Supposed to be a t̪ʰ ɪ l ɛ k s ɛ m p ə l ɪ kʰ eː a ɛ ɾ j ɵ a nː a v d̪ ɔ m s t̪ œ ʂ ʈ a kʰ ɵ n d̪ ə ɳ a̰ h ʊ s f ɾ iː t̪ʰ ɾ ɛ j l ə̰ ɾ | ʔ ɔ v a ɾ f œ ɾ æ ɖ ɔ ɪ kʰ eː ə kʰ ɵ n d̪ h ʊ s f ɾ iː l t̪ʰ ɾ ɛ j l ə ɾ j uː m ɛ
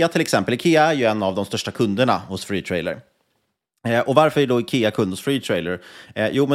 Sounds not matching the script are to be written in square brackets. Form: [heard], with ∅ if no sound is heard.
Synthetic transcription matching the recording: a t̪ʰ ɪ l ɛ k s ɛ m p ə l ɪ kʰ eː a [æ] ɾ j ɵ [ɛ] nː a v d̪ ɔ m s t̪ œ ʂ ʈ a kʰ ɵ n d̪ ə ɳ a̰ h ʊ s f ɾ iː t̪ʰ ɾ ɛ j l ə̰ ɾ | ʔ ɔ v a ɾ f œ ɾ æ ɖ ɔ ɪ kʰ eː [a] kʰ ɵ n d̪ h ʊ s f ɾ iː [∅] t̪ʰ ɾ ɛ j l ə ɾ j uː m ɛ